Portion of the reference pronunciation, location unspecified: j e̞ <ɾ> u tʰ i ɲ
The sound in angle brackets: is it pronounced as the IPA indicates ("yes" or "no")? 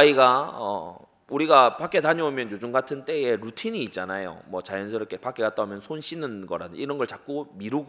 yes